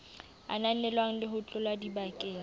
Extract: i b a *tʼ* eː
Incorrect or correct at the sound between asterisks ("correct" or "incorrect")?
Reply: incorrect